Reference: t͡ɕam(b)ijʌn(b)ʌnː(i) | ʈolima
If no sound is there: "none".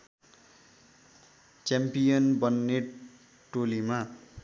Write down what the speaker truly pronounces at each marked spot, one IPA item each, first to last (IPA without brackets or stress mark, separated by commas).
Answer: p, b, e